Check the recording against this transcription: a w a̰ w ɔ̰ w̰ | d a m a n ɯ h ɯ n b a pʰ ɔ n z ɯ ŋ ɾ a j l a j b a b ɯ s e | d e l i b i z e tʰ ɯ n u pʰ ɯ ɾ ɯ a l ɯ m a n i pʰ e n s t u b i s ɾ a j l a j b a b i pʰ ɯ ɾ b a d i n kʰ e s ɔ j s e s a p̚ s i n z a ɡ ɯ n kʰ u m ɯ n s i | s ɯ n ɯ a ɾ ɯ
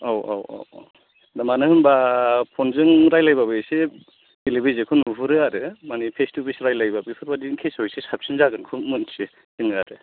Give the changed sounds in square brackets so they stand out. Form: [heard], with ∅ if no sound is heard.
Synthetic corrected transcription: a w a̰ w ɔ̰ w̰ | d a m a n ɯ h ɯ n b a pʰ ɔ n z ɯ ŋ ɾ a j l a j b a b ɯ s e | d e l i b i z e [kʰ] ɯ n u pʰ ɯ ɾ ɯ a [ɾ] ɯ m a n i pʰ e [∅] s t u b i s ɾ a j l a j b a b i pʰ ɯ ɾ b a d i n kʰ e s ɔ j s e s a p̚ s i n z a ɡ ɯ n kʰ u m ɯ n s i | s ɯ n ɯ a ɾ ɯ